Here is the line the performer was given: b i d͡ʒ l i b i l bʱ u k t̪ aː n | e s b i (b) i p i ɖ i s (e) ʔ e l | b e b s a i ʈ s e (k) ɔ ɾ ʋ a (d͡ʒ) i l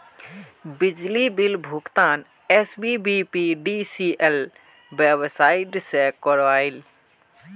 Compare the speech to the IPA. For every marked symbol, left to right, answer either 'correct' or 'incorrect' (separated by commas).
correct, incorrect, correct, incorrect